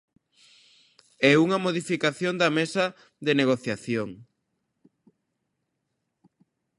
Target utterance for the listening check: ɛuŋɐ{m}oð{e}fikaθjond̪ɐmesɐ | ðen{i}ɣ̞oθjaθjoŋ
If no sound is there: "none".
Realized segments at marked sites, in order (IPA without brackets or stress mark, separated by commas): m, i, e